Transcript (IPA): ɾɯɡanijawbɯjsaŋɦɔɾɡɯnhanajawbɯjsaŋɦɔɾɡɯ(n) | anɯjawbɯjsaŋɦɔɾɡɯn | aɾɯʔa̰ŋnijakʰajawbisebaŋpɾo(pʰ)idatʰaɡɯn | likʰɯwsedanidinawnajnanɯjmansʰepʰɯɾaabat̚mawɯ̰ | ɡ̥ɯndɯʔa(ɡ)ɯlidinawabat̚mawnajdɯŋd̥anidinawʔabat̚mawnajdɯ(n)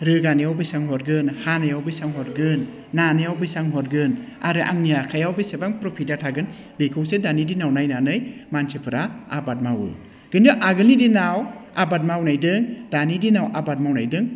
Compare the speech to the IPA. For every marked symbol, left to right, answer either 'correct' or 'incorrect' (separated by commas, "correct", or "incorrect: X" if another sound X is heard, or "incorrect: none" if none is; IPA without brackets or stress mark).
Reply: incorrect: nː, correct, correct, incorrect: ŋ